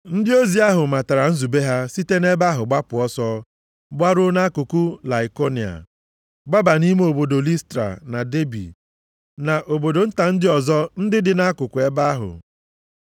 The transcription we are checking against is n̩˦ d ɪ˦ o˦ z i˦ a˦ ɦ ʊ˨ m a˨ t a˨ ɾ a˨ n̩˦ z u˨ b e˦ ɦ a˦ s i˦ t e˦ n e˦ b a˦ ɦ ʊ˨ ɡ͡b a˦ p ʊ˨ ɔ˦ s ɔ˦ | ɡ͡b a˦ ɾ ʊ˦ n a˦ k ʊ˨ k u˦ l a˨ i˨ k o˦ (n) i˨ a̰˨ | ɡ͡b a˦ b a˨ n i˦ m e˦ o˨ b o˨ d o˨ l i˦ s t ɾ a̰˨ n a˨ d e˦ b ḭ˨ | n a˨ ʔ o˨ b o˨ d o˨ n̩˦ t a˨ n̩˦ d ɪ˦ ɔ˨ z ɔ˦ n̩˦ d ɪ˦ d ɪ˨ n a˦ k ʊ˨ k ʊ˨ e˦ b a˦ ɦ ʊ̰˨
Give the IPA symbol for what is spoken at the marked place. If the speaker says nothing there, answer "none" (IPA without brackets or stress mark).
n